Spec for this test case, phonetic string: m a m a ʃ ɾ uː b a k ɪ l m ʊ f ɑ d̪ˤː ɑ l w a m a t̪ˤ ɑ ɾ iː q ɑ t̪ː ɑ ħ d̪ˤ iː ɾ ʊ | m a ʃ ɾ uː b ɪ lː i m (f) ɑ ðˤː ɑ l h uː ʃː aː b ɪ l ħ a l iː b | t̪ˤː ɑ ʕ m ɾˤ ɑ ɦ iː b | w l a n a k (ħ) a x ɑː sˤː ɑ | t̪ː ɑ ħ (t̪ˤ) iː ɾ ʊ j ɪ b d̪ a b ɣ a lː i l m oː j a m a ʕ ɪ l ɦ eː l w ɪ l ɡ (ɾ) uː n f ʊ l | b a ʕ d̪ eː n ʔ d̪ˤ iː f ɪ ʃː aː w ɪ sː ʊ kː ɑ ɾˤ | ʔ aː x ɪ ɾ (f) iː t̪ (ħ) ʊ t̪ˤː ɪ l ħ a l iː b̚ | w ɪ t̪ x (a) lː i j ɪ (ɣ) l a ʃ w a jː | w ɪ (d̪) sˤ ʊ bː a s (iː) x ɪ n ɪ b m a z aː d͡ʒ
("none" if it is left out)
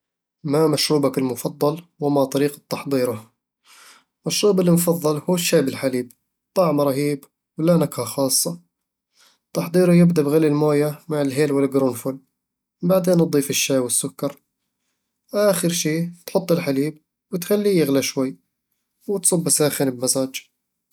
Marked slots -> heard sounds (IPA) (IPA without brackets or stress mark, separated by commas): f, h, d̪ˤ, ɾ, ʃ, ħ, a, ɣ, t̪, aː